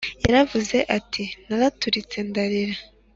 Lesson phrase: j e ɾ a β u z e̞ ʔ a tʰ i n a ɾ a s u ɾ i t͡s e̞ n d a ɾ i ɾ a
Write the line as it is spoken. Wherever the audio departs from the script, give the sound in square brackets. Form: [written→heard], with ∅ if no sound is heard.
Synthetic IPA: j [e→a] ɾ a [β→v] u z e̞ ʔ a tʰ i n a ɾ a [s→t] u ɾ i t͡s e̞ n d a ɾ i ɾ a